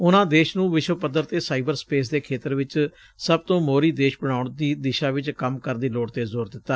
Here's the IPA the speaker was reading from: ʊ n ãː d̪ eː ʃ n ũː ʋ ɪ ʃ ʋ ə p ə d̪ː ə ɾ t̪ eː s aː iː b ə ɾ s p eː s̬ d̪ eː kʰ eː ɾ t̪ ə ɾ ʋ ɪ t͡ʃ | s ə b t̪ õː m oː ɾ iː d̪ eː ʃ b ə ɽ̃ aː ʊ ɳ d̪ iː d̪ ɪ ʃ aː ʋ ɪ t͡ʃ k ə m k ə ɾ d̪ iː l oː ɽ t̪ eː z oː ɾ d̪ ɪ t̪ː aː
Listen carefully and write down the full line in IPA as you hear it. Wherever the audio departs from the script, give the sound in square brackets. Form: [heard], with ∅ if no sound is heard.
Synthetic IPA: ʊ n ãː d̪ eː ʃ n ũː ʋ ɪ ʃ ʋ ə p ə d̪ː ə ɾ t̪ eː s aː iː b ə ɾ s p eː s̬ d̪ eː kʰ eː [∅] t̪ ə ɾ ʋ ɪ t͡ʃ | s ə b t̪ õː m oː ɾ iː d̪ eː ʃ b ə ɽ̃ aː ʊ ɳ d̪ iː d̪ ɪ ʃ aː ʋ ɪ t͡ʃ k ə m k ə ɾ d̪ iː l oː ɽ t̪ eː z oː ɾ d̪ ɪ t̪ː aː